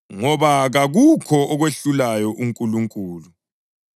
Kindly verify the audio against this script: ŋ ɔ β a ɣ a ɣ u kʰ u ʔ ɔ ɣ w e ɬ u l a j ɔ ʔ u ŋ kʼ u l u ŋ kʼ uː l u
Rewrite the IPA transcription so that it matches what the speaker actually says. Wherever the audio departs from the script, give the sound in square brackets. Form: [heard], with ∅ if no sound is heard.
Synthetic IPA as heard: ŋ ɔ β a ɣ a ɣ u kʰ [ɔ] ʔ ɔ ɣ w e ɬ u l a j ɔ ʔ u ŋ kʼ u l u ŋ kʼ uː l u